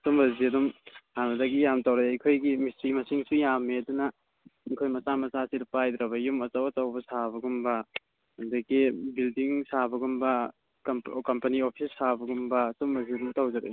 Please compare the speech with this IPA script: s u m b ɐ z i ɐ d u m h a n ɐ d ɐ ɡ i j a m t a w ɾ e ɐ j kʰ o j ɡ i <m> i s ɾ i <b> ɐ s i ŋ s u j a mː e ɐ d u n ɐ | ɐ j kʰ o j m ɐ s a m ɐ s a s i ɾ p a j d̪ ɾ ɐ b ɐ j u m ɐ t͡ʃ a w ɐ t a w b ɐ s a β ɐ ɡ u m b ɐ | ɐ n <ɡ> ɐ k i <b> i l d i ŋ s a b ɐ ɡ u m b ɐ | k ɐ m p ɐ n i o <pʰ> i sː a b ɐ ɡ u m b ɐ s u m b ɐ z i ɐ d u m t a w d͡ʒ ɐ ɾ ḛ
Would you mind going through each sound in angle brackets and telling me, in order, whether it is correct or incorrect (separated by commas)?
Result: correct, incorrect, incorrect, correct, correct